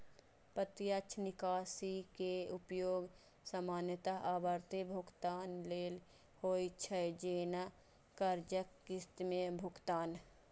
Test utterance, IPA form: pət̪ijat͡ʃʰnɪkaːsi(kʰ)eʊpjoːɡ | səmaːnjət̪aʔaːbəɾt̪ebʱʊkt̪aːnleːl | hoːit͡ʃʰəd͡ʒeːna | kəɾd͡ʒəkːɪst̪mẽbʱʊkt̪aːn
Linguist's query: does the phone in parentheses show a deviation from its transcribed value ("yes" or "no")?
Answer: yes